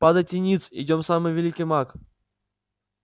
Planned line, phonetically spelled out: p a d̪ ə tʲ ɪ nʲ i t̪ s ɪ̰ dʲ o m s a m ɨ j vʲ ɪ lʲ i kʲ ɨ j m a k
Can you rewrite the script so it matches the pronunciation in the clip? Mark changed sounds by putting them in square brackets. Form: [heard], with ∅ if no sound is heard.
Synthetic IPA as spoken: p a d̪ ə tʲ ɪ nʲ i t̪ s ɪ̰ dʲ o m s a m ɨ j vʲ ɪ lʲ i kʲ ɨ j m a k

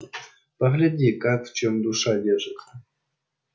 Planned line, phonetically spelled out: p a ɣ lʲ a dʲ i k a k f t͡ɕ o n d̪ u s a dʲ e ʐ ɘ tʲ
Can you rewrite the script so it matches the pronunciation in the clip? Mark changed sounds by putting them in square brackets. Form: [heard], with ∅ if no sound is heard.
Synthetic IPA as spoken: p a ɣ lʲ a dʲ i k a k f t͡ɕ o [m] d̪ u [ʂ] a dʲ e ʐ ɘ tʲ

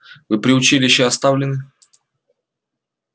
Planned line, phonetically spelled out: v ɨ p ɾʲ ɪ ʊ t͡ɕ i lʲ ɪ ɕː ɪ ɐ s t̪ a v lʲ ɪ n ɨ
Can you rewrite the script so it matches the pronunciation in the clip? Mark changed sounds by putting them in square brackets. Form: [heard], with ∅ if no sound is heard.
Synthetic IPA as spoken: v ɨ p ɾʲ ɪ ʊ t͡ɕ i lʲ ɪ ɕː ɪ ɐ s t̪ a v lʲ ɪ n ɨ

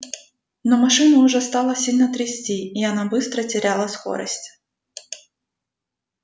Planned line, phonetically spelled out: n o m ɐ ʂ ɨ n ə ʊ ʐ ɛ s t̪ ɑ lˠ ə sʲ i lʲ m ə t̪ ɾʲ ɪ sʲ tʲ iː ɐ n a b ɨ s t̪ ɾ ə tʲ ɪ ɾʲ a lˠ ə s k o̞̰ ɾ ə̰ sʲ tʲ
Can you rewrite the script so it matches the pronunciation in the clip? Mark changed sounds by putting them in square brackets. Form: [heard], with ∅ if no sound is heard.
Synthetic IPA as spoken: n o m ɐ ʂ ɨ n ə ʊ ʐ ɛ s t̪ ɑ lˠ ə sʲ i lʲ [n] ə t̪ ɾʲ ɪ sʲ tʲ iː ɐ n a b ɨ s t̪ ɾ ə tʲ ɪ ɾʲ a lˠ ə s k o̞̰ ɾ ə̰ sʲ tʲ

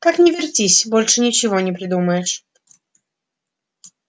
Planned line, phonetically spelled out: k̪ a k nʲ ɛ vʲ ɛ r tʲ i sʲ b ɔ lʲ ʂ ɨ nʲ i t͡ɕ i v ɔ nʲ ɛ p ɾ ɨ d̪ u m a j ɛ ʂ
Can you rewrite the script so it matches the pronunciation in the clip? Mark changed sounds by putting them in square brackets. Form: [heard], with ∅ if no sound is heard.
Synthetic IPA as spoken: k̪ a k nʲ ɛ vʲ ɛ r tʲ i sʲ b ɔ lʲ ʂ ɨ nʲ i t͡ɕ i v ɔ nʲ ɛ p ɾ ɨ d̪ u m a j ɛ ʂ

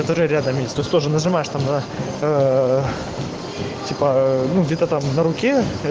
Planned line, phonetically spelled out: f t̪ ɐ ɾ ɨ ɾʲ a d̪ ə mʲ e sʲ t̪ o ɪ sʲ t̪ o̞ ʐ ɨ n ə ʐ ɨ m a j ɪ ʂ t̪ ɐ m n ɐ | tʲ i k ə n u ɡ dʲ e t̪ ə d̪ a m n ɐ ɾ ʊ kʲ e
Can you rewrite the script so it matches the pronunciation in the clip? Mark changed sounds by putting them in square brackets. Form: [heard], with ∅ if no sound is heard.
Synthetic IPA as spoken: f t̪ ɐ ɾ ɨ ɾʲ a d̪ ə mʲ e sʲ t̪ o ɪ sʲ t̪ o̞ ʐ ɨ n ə ʐ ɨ m a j ɪ ʂ t̪ [a] m n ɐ | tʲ i [p] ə n u ɡ dʲ e t̪ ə [t̪] a m n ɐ ɾ ʊ kʲ e

